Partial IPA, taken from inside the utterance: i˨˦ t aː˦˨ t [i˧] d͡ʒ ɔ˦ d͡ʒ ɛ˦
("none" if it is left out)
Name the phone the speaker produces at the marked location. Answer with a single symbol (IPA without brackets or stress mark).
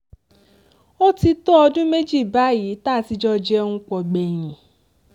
i˧